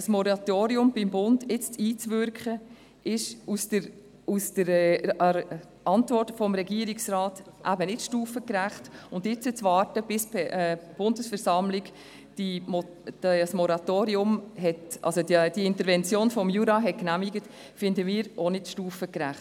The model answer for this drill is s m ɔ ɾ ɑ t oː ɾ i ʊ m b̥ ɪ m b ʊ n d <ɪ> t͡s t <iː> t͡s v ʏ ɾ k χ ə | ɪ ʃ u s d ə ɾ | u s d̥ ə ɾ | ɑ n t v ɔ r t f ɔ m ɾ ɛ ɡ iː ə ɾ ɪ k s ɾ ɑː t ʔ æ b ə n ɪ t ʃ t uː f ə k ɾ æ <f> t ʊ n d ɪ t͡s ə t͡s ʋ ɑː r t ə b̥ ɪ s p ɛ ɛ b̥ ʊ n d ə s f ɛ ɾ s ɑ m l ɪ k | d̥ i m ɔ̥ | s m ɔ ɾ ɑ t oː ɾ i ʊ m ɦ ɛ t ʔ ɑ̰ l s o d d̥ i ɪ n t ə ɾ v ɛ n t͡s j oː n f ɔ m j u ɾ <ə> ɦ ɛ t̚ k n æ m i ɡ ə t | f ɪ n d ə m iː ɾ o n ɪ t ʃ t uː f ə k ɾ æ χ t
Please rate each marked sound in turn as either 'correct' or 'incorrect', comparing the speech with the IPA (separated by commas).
correct, correct, incorrect, incorrect